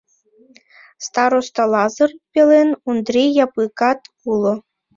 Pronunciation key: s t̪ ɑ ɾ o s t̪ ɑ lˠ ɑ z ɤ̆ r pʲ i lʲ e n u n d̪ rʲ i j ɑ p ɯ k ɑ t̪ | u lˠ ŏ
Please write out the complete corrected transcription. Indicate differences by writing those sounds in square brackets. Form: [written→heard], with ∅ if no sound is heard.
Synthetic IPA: s t̪ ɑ ɾ o s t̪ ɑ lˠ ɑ z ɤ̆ r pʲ [i→e] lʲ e n u n d̪ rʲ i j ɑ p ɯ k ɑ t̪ | u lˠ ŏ